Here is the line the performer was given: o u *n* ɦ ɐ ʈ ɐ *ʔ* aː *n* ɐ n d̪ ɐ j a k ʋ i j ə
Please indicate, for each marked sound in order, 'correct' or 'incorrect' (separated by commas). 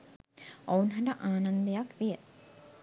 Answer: correct, correct, correct